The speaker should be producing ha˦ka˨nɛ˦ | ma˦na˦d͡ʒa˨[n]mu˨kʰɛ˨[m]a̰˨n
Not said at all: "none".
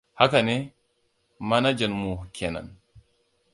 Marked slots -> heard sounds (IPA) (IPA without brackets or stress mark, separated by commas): n, n